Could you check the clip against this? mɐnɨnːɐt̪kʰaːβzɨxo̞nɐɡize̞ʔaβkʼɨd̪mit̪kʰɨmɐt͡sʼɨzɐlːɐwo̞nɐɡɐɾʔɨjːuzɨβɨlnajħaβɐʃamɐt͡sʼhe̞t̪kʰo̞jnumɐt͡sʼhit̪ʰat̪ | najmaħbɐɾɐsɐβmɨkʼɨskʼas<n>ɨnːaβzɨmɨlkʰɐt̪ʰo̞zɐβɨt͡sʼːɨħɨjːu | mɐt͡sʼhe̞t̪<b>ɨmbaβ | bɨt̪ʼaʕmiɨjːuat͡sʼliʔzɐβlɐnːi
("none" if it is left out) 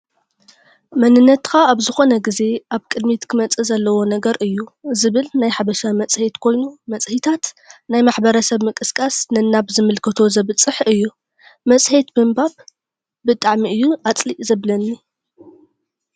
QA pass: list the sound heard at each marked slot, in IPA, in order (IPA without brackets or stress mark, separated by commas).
n, b